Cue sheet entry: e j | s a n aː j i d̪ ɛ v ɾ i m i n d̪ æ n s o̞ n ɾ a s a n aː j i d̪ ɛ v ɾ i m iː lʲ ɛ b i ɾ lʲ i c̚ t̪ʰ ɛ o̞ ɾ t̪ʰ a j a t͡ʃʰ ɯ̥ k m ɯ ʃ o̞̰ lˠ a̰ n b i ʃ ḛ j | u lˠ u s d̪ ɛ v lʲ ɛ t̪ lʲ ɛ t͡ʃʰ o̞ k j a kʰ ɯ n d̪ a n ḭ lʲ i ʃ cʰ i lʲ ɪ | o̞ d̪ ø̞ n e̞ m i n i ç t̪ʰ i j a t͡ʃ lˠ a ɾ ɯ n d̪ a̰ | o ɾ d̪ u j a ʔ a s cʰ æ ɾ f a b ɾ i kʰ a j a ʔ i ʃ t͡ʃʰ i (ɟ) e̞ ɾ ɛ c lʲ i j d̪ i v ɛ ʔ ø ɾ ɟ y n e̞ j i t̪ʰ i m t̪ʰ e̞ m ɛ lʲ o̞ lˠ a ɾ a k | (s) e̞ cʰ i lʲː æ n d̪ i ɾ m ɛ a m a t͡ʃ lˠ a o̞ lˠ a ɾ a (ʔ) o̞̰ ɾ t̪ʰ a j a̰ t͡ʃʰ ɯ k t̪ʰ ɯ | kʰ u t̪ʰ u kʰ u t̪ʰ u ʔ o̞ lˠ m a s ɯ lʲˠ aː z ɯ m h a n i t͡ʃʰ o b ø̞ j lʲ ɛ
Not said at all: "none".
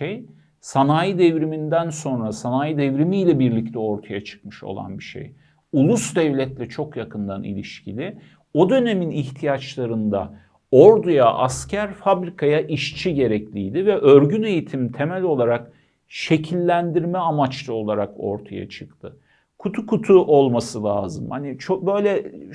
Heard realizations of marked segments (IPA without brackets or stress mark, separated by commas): ɟ, ʃ, k